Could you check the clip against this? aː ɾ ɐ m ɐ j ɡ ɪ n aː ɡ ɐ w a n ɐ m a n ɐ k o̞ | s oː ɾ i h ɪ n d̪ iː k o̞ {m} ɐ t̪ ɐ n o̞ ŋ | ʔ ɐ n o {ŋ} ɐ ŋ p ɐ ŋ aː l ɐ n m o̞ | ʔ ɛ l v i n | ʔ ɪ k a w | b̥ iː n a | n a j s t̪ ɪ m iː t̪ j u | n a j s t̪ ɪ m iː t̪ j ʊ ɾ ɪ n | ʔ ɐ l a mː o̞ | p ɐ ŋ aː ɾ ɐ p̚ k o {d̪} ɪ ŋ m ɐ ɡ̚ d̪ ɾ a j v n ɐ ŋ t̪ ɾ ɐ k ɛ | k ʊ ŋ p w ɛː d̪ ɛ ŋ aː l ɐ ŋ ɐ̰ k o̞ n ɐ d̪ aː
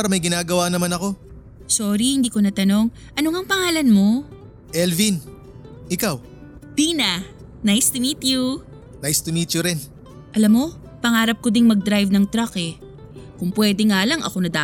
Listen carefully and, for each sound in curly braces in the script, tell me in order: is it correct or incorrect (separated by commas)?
incorrect, correct, correct